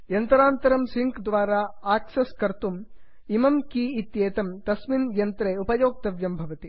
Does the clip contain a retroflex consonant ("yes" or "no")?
no